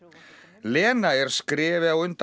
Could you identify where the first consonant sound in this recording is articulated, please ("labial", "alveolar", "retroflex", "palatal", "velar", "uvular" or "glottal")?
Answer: alveolar